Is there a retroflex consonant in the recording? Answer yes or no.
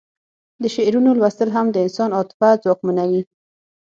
no